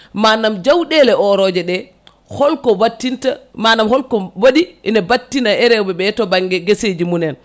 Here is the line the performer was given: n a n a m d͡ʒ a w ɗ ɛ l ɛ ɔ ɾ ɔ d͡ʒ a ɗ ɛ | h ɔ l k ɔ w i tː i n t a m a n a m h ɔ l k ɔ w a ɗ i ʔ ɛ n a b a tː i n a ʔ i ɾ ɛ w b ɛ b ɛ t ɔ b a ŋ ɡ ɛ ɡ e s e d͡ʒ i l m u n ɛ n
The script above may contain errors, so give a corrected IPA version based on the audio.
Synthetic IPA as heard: m a n a m d͡ʒ a w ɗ ɛ l ɛ ɔ ɾ ɔ d͡ʒ ɛ ɗ ɛ | h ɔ l k ɔ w a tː i n t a m a n a m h ɔ l k ɔ w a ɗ i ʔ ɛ n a b a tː i n a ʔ ɛ ɾ ɛ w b ɛ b ɛ t ɔ b a ŋ ɡ ɛ ɡ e s e d͡ʒ i m u n ɛ n